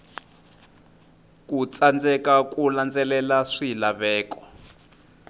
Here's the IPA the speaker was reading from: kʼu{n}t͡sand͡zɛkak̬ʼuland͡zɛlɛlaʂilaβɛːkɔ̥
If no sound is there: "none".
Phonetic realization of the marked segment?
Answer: none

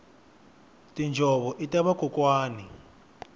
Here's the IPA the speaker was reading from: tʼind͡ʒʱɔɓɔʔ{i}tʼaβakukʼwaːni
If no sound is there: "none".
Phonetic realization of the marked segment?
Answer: i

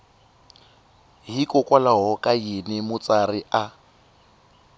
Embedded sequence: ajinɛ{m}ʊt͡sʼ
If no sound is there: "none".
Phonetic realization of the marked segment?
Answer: m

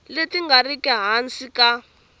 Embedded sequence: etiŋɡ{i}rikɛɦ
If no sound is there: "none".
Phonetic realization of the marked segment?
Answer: a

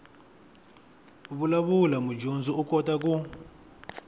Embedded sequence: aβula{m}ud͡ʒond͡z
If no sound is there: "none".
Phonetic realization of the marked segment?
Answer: m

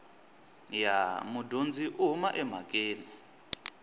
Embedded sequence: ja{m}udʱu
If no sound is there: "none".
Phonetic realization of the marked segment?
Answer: m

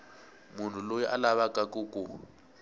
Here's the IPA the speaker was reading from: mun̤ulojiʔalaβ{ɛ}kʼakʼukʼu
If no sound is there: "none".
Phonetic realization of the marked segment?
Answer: a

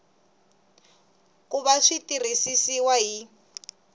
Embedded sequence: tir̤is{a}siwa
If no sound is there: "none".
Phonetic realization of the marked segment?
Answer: i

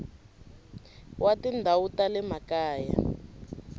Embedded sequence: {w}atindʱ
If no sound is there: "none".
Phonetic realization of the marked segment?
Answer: w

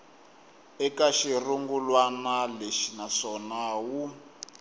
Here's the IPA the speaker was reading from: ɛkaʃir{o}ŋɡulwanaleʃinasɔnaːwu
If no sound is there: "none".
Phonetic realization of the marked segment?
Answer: u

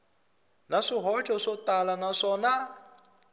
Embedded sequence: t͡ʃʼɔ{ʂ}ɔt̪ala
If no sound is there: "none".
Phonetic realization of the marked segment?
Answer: ʂ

